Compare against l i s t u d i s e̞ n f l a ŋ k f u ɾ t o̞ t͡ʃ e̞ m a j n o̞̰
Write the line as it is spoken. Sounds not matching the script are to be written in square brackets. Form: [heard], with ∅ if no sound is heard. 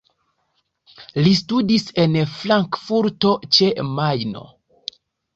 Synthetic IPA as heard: l i s t u d i s e̞ n f l a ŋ k f u ɾ t o̞ t͡ʃ e̞ m a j n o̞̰